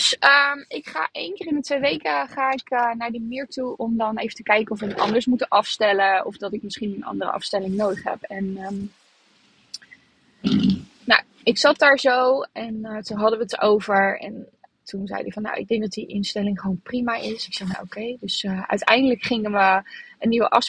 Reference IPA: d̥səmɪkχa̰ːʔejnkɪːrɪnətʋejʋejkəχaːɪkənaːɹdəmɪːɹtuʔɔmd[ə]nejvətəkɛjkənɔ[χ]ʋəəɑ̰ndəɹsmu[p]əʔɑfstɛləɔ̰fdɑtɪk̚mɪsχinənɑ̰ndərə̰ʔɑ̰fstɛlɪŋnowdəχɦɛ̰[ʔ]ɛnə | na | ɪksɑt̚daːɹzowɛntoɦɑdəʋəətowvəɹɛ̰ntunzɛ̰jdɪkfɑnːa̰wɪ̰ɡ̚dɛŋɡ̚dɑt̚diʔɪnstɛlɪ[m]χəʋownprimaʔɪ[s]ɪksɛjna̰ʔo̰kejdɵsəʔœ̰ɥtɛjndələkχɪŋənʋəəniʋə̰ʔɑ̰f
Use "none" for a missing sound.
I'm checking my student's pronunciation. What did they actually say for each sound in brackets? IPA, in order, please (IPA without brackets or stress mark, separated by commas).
ɑ, f, t, p, ŋ, s